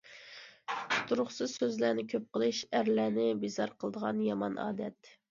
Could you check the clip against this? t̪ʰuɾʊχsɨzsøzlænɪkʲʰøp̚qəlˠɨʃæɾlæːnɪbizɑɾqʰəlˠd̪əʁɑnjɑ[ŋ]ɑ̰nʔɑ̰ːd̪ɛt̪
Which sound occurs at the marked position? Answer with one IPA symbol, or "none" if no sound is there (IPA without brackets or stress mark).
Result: m